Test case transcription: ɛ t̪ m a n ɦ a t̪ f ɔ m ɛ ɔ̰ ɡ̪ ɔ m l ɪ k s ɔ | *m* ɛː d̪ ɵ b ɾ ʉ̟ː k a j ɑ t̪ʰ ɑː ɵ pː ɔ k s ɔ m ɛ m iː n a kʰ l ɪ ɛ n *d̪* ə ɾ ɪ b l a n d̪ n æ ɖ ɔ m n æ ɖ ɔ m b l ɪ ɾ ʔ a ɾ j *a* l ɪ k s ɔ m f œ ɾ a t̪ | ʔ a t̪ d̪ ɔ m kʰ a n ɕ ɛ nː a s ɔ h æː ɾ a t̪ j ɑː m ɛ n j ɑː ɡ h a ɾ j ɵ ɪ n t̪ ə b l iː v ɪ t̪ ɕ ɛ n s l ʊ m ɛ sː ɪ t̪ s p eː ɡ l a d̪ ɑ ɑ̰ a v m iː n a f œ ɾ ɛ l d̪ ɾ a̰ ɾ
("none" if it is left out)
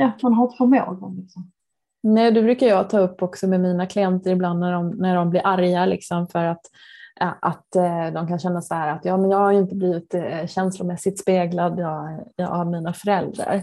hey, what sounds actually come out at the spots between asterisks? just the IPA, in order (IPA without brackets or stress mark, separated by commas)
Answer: n, t̪, a